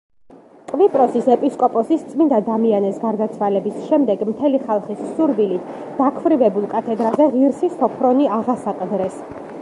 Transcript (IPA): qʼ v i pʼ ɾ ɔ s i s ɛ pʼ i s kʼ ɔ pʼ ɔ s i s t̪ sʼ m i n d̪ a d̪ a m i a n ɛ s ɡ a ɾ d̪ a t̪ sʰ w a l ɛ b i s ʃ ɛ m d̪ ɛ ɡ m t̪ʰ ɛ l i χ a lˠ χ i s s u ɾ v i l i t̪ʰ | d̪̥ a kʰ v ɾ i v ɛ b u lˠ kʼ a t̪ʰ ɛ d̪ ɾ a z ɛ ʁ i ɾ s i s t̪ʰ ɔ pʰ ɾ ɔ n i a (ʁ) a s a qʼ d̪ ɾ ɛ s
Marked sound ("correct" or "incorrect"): correct